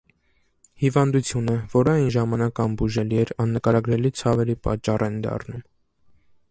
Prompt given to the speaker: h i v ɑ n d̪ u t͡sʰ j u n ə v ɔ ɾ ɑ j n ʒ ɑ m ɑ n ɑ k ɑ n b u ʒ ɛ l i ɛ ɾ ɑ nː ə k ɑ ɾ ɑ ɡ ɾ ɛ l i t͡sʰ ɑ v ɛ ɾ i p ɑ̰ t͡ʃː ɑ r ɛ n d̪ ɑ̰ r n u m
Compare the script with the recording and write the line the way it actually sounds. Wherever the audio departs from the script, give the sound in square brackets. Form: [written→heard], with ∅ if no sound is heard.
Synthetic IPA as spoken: h i v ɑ n d̪ u t͡sʰ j u n ə v ɔ ɾ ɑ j n ʒ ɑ m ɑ n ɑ k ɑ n b u ʒ ɛ l i ɛ ɾ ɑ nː ə k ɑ ɾ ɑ ɡ ɾ ɛ l i t͡sʰ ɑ v ɛ ɾ i p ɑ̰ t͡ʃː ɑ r ɛ n d̪ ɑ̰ r n u m